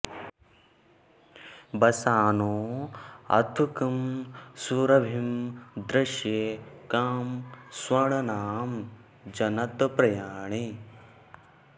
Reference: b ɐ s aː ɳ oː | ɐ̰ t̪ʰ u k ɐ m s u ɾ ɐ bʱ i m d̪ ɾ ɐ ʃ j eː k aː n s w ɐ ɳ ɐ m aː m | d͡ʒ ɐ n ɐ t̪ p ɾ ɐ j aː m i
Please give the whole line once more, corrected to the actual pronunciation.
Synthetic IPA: b ɐ s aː n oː | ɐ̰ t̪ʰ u k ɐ m s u ɾ ɐ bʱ i m d̪ ɾ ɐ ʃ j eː k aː m s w ɐ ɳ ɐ n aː m | d͡ʒ ɐ n ɐ t̪ p ɾ ɐ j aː ɳ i

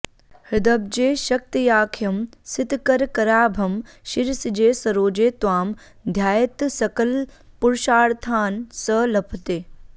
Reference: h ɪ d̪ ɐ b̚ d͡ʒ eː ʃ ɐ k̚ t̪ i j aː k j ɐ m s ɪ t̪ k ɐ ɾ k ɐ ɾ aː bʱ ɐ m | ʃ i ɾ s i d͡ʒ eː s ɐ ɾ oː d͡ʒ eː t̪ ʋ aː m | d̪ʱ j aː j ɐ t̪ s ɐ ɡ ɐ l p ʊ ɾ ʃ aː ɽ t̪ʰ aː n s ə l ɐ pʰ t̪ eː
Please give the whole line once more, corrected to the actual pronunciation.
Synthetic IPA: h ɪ d̪ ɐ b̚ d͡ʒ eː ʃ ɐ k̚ t̪ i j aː kʰ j ɐ m s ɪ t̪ k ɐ ɾ k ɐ ɾ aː bʱ ɐ m | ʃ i ɾ s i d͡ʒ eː s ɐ ɾ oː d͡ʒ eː t̪ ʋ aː m | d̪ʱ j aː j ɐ t̪ s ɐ k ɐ l p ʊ ɾ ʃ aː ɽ t̪ʰ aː n s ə l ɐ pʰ t̪ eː

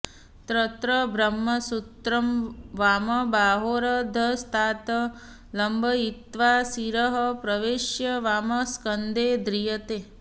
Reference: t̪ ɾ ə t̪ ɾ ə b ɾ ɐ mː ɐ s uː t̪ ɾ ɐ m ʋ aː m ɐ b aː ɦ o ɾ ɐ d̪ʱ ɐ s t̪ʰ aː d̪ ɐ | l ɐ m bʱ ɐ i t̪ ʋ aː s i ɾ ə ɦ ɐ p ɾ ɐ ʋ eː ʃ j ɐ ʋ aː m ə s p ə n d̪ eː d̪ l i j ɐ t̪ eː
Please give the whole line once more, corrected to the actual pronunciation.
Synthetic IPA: t̪ ɾ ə t̪ ɾ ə b ɾ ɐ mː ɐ s u t̪ ɾ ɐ m ʋ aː m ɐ b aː ɦ o ɾ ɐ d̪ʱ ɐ s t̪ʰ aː t̪ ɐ | l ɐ m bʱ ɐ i t̪ ʋ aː s i ɾ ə ɦ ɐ p ɾ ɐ ʋ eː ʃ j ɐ ʋ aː m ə s k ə n d̪ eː d̪ ɾ i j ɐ t̪ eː

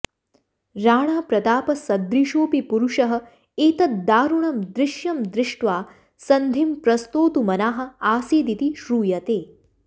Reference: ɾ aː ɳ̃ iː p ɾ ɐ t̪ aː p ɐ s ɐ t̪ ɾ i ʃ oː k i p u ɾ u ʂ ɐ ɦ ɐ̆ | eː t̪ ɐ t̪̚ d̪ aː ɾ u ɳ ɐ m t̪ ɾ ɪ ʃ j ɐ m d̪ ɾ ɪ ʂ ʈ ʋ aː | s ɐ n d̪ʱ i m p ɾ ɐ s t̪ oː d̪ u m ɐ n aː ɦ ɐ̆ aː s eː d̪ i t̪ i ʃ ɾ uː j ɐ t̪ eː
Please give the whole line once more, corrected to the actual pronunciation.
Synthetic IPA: ɾ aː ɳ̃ aː p ɾ ɐ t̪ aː p ɐ s ɐ d̪ ɾ i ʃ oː p i p u ɾ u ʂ ɐ ɦ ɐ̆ | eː t̪ ɐ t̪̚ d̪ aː ɾ u ɳ ɐ m d̪ ɾ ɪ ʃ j ɐ m d̪ ɾ ɪ ʂ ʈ ʋ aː | s ɐ n d̪ʱ i m p ɾ ɐ s t̪ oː t̪ u m ɐ n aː ɦ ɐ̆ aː s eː d̪ i t̪ i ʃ ɾ uː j ɐ t̪ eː

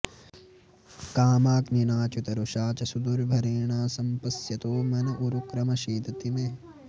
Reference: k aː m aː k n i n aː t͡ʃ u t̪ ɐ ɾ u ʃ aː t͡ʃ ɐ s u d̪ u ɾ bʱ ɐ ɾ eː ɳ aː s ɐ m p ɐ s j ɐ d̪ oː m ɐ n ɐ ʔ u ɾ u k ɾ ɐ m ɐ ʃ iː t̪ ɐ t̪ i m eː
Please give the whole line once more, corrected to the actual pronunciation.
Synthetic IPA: k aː m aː k n i n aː t͡ʃ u t̪ ɐ ɾ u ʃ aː t͡ʃ ɐ s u d̪ u ɾ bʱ ɐ ɾ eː ɳ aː s ɐ m p ɐ s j ɐ t̪ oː m ɐ n ɐ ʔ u ɾ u k ɾ ɐ m ɐ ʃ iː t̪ ɐ t̪ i m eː

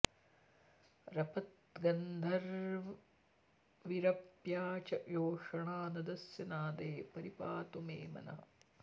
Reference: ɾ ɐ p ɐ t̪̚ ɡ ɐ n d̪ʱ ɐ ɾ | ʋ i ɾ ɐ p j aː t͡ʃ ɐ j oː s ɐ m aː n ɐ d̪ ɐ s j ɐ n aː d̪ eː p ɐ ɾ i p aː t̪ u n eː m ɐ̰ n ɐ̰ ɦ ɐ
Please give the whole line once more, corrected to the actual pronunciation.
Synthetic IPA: ɾ ɐ p ɐ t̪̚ ɡ ɐ n d̪ʱ ɐ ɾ | ʋ i ɾ ɐ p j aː t͡ʃ ɐ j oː ʂ ɐ ɳ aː n ɐ d̪ ɐ s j ɐ n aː d̪ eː p ɐ ɾ i p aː t̪ u m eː m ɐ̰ n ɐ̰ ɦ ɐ

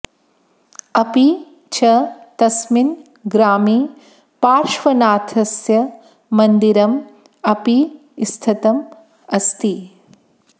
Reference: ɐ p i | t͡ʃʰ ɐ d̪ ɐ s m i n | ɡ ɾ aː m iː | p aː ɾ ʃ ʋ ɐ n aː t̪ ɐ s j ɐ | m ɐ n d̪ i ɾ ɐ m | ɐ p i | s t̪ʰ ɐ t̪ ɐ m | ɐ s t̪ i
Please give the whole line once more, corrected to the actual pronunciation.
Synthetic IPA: ɐ p i | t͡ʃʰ ɐ t̪ ɐ s m i n | ɡ ɾ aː m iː | p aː ɾ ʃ ʋ ɐ n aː t̪ʰ ɐ s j ɐ | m ɐ n d̪ i ɾ ɐ m | ɐ p i | s t̪ʰ ɐ t̪ ɐ m | ɐ s t̪ i

